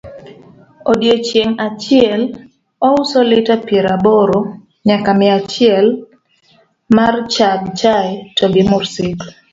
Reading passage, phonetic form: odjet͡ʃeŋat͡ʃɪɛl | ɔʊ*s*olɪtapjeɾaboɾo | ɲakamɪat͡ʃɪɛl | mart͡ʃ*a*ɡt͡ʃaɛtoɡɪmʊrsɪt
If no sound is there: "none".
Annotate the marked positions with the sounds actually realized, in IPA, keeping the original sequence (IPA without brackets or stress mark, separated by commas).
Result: s, a